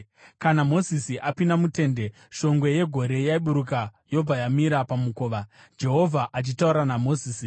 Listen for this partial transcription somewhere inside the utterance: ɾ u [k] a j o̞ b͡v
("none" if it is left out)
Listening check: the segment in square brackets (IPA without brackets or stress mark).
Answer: k